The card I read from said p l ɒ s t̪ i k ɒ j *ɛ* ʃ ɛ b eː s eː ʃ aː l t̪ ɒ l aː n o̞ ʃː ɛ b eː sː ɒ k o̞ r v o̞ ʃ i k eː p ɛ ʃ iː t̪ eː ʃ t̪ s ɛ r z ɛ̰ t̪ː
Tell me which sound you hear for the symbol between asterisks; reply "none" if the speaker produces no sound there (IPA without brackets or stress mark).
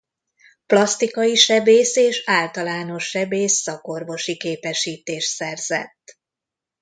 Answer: i